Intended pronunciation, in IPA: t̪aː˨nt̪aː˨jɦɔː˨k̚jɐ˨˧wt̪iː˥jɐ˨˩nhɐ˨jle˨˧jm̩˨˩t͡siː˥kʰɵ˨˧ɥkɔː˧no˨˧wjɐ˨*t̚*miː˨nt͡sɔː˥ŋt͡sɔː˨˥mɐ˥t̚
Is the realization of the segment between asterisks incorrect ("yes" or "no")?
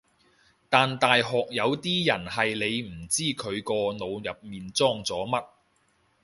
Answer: yes